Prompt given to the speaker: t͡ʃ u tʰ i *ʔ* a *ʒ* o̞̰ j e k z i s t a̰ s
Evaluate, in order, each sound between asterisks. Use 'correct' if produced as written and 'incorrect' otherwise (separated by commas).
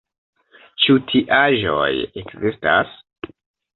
correct, correct